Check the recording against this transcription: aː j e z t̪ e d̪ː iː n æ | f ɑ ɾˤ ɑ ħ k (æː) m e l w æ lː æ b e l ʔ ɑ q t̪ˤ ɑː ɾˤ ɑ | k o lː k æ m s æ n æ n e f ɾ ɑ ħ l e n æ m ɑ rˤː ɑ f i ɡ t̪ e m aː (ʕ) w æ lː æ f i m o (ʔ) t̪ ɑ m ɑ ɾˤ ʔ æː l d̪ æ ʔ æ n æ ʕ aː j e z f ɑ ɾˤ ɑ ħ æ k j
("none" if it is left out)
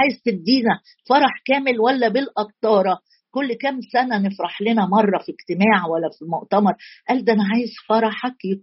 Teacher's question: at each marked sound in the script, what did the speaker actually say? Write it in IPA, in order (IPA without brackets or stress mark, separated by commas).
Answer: æː, ʕ, ʔ